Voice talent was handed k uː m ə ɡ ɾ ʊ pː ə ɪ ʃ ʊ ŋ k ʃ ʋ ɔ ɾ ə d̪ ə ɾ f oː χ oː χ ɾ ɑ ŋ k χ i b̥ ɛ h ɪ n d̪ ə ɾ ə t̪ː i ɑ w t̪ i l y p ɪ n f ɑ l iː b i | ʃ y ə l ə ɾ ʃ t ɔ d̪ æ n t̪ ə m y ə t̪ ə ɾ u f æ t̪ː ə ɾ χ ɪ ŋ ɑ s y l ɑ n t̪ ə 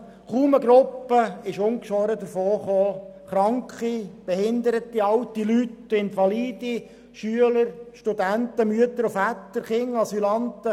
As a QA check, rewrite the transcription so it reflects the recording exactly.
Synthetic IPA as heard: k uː m ə ɡ ɾ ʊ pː ə ɪ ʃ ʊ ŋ k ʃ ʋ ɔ ɾ ə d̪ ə ɾ f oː χ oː χ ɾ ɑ ŋ k χ i b̥ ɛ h ɪ n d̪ ə ɾ ə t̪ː i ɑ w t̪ i l y t ɪ n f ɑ l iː d i | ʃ y ə l ə ɾ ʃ t u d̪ æ n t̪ ə m y ə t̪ ə ɾ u f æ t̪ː ə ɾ χ ɪ ŋ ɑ s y l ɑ n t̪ ə